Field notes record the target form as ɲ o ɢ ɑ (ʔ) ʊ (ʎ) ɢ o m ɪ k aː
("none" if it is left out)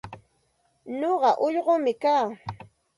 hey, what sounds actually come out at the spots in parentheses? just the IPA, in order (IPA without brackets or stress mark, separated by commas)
ʔ, ʎ